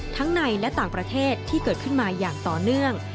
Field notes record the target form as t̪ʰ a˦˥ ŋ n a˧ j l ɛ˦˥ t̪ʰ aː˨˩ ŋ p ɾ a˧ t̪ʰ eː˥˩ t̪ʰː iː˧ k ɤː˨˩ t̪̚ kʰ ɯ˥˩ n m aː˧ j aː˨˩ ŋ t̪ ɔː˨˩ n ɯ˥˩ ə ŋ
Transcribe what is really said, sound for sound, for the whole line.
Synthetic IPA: t̪ʰ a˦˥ ŋ n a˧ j l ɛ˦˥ t̪ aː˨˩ ŋ p ɾ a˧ t̪ʰ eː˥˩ t̪ʰː iː˥˩ k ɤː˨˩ t̪̚ kʰ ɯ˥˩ n m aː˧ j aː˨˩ ŋ t̪ ɔː˨˩ n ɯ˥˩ ə ŋ